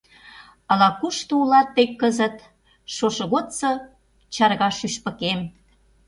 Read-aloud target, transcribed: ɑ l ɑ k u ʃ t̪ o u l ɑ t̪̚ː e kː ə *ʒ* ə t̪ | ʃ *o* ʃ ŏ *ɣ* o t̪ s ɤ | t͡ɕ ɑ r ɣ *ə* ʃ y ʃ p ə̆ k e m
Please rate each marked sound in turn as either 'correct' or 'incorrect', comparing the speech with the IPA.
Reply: incorrect, correct, correct, incorrect

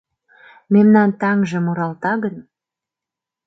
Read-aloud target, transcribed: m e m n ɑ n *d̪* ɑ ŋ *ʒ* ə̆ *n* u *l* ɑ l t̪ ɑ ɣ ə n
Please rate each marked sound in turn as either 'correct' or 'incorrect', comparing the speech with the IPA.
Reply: incorrect, correct, incorrect, incorrect

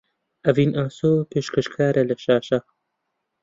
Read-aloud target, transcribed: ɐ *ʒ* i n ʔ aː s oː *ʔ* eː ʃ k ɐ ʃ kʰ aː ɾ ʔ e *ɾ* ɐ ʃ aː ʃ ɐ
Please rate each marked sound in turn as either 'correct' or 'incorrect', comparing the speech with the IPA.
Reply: incorrect, incorrect, incorrect

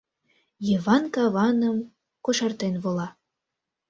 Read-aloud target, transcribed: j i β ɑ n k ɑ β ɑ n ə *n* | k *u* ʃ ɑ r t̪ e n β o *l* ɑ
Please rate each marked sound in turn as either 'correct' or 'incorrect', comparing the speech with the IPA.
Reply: incorrect, incorrect, correct

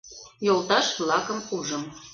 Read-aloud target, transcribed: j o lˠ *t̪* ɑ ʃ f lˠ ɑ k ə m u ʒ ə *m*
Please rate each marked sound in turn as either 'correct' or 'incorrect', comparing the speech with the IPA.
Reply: correct, correct

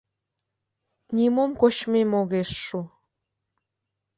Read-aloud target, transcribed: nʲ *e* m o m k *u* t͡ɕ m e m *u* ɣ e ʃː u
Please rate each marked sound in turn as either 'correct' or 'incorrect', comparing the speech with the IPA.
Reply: incorrect, incorrect, incorrect

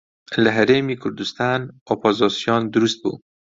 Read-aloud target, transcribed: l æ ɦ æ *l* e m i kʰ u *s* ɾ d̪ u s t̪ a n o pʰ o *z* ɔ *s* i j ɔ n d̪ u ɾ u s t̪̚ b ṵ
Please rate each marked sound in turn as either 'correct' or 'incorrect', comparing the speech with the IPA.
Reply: incorrect, incorrect, correct, correct

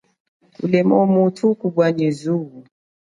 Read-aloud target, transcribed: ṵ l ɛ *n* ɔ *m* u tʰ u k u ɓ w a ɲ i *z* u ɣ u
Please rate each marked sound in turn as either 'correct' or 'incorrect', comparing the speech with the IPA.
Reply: incorrect, correct, correct

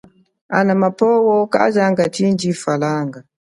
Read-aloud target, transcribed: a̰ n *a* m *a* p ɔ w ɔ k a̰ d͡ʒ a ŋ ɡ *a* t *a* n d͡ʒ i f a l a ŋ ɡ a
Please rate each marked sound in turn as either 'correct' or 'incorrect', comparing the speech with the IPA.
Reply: correct, correct, correct, incorrect

